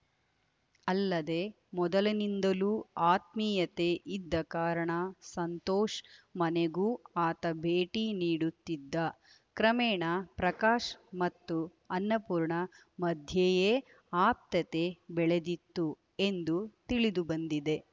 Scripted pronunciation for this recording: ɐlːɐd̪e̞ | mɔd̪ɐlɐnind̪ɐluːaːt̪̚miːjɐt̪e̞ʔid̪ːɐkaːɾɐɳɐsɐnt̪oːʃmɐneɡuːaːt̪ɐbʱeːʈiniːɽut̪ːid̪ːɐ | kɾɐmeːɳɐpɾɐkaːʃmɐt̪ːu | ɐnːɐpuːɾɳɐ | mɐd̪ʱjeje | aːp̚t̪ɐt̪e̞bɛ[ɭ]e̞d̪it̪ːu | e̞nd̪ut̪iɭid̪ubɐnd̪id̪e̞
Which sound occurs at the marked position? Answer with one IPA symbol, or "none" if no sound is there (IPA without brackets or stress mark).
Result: ɭ